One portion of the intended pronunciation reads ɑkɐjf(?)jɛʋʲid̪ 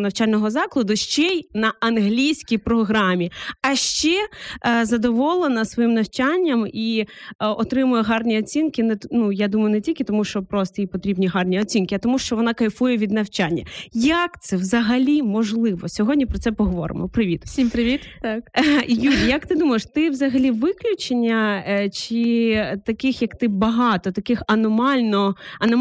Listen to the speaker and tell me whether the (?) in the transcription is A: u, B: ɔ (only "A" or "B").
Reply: A